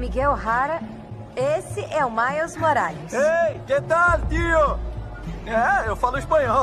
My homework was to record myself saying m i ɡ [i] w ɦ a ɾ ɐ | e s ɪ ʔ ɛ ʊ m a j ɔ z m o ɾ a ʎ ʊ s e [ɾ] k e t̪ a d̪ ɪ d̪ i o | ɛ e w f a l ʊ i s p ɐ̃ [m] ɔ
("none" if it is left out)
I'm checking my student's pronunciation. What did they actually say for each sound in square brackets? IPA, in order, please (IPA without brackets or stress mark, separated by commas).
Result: ɛ, none, ɲ